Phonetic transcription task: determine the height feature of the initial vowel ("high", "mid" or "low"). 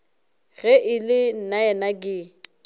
mid